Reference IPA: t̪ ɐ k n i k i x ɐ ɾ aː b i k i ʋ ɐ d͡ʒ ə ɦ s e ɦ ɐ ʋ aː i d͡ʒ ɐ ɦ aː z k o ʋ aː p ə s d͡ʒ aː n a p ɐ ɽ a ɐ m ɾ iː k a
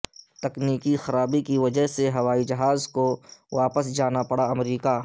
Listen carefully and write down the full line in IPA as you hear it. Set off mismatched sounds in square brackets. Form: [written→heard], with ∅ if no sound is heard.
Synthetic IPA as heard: t̪ ɐ k n [i→iː] k i x ɐ ɾ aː b i k i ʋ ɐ d͡ʒ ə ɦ s e ɦ ɐ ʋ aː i d͡ʒ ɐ ɦ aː z k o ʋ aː p ə s d͡ʒ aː n a p ɐ ɽ a ɐ m ɾ iː k a